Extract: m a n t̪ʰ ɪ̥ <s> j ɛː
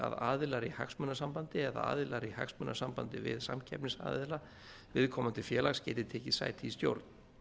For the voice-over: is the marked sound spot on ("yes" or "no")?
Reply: no